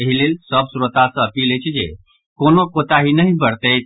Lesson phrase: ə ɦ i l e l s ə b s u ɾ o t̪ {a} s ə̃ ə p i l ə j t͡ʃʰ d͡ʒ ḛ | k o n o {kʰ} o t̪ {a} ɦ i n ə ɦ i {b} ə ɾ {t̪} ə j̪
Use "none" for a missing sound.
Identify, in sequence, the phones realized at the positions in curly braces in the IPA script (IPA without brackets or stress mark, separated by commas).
a, k, a, b, t̪